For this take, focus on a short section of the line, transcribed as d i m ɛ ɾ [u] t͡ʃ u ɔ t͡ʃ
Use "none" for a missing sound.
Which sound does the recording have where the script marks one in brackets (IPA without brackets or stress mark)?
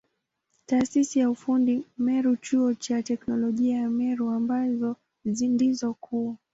u